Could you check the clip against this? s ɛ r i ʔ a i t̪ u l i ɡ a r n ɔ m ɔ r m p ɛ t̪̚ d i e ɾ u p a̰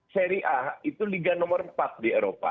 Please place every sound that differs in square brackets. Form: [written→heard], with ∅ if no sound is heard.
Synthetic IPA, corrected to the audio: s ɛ [r→ɾ] i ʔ a i t̪ u l i ɡ a [r→∅] n ɔ m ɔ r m p [ɛ→a] t̪̚ d i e ɾ [u→o] p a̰